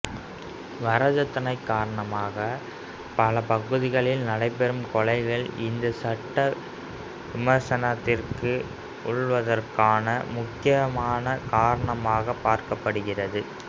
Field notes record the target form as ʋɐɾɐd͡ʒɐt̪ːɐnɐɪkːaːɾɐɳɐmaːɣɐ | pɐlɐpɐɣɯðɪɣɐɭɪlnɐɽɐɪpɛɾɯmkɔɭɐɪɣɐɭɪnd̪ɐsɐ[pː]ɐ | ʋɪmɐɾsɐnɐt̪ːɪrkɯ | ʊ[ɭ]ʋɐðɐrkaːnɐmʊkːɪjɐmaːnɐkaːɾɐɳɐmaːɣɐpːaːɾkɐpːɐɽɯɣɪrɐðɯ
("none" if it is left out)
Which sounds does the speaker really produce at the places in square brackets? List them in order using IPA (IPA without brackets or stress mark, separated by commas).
ʈː, ɭ